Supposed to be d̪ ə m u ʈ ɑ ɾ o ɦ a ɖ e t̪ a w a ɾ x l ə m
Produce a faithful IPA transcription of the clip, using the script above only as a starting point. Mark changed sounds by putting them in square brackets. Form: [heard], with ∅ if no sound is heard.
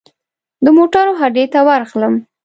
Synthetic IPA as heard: d̪ ə m [o] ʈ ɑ ɾ o ɦ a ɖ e t̪ a w a ɾ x l ə m

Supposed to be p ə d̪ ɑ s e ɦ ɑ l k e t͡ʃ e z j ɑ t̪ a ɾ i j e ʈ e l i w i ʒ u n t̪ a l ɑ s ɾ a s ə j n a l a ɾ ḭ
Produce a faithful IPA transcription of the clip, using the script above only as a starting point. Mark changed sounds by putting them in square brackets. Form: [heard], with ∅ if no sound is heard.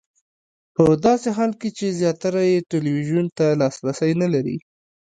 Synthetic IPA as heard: p ə d̪ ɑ s e ɦ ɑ l k e t͡ʃ e z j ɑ t̪ a ɾ [a] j e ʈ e l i w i ʒ u n t̪ a l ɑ s ɾ a s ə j n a l a ɾ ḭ

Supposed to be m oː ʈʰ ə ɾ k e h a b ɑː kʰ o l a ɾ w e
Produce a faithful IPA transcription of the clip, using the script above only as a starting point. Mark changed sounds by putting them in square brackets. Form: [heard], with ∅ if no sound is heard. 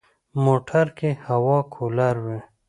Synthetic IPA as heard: m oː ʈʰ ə ɾ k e h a [w] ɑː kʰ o l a ɾ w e

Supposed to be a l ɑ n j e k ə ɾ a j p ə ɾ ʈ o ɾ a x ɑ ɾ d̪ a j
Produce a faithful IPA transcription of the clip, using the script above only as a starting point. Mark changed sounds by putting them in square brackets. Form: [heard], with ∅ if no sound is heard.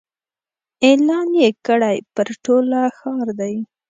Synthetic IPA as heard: [e] l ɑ n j e k ə [ɽ] a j p ə ɾ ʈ o [l] a x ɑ ɾ d̪ a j

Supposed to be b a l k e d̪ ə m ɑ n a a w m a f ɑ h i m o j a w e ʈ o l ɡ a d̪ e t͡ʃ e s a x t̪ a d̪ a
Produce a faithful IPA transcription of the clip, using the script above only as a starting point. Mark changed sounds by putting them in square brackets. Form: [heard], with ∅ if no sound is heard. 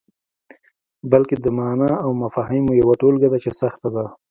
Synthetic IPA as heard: b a l k e d̪ ə m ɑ n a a w m a f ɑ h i m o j a w [a] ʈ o l ɡ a d̪ [a] t͡ʃ e s a x t̪ a d̪ a

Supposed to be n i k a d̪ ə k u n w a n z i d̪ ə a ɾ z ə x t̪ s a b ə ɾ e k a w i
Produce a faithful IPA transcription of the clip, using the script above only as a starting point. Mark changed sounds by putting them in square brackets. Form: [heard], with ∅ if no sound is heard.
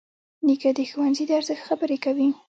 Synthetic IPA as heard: n i k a d̪ ə [x] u [∅] w a n z i d̪ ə a ɾ z ə x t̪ [x] a b ə ɾ e k a w i

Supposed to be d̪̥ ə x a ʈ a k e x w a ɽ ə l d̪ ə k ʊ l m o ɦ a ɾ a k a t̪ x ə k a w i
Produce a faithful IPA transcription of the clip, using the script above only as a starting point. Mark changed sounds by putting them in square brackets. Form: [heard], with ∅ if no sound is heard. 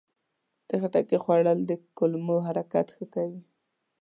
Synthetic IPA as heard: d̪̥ ə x a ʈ a k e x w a ɽ ə l d̪ ə k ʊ l m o ɦ a ɾ a k a t̪ x ə k a w i

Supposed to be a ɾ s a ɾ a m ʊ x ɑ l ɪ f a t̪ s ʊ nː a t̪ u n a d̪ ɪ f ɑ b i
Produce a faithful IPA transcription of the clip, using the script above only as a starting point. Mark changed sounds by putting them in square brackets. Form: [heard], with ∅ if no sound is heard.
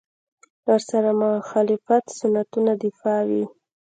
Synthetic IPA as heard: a ɾ s a ɾ a m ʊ x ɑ l ɪ f a t̪ s ʊ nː a t̪ u n a d̪ ɪ f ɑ [w] i

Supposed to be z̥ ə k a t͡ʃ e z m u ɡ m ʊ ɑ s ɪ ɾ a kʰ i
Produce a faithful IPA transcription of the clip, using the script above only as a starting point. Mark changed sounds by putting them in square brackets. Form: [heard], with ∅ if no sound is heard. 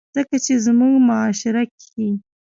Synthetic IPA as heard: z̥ ə k a t͡ʃ e z m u ɡ m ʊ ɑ [ʃ] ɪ ɾ a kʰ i

